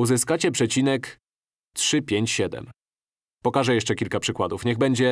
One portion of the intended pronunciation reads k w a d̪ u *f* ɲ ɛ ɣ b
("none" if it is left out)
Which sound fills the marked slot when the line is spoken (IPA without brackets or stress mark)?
f